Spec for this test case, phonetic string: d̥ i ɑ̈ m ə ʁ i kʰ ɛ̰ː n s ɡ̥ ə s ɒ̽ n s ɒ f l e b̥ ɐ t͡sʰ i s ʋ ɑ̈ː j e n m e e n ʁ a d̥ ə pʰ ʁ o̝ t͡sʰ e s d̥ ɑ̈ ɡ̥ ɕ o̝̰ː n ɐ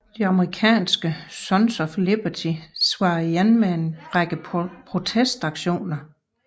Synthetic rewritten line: d̥ i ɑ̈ m ə ʁ i kʰ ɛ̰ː n s ɡ̥ ə s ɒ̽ n s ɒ f l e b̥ ɐ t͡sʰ i s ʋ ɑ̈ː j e n m e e n ʁ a ɡ̥ ə pʰ ʁ o̝ t͡sʰ e s d̥ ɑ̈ ɡ̥ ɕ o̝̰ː n ɐ